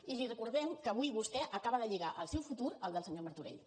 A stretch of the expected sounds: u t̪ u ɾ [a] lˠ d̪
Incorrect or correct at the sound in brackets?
incorrect: ə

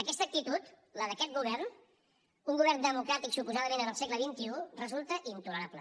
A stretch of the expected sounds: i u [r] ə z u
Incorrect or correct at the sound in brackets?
correct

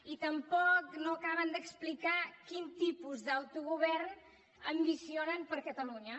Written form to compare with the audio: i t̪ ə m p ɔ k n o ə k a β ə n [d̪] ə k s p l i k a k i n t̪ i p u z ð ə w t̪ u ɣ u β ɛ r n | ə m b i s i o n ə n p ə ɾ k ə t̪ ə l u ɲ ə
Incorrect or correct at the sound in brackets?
correct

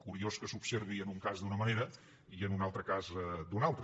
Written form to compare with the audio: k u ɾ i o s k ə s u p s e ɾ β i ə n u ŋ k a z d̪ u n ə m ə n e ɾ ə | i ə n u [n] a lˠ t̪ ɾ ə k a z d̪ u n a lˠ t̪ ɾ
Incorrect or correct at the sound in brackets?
correct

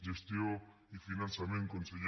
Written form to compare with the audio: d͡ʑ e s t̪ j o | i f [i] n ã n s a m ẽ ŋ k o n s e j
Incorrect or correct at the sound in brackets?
correct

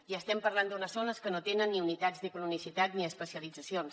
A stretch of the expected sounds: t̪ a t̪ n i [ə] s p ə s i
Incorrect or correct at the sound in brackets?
correct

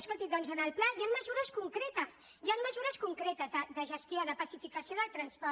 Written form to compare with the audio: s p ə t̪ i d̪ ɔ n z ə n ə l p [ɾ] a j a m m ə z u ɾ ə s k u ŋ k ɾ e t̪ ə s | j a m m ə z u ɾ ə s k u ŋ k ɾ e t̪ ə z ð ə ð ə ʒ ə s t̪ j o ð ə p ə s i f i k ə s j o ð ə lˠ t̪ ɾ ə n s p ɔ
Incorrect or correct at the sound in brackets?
incorrect: l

